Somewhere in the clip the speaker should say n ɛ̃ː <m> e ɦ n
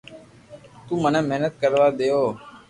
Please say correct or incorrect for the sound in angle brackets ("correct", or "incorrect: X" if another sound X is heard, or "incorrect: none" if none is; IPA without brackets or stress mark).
correct